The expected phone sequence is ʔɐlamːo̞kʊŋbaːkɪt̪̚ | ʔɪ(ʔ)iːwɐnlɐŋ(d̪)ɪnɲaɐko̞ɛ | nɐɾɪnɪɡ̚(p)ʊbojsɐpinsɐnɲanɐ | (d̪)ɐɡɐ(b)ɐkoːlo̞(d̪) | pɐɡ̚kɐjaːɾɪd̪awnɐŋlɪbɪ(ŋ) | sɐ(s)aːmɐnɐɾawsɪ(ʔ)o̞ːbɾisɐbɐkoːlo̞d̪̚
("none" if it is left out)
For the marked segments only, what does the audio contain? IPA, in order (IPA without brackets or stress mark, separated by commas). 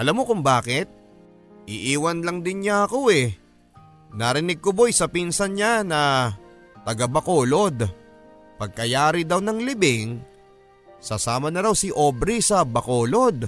ʔ, d̪, k, t̪, b, d̪, ŋ, s, ʔ